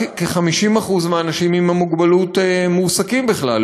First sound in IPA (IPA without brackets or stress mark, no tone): k